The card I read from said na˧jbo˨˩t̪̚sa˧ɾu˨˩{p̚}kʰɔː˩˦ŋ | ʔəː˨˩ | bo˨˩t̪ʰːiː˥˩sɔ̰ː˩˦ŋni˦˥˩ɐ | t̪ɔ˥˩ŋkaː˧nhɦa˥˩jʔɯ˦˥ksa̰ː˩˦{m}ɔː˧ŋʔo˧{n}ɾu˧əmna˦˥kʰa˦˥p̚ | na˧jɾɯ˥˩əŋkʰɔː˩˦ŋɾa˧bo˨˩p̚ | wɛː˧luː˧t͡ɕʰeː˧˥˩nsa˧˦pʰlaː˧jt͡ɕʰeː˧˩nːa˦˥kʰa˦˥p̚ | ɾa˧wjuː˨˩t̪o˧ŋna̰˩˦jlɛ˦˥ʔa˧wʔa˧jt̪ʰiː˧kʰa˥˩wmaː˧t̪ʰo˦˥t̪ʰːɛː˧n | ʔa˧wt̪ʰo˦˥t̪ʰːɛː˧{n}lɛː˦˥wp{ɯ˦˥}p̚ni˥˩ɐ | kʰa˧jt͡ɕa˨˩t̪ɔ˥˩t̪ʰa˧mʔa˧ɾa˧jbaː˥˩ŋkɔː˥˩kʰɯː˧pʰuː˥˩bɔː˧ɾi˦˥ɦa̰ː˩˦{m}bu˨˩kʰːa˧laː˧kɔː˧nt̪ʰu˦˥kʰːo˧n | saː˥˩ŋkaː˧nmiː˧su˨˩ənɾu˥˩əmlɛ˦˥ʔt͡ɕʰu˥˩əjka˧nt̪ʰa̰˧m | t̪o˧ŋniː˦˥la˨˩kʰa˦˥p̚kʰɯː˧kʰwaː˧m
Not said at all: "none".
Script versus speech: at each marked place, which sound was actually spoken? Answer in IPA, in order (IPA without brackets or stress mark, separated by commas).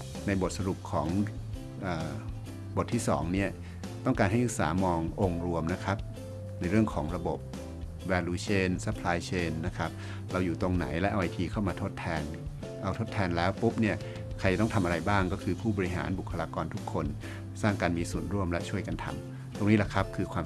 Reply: p̚, m, ŋ, n, u˦˥, n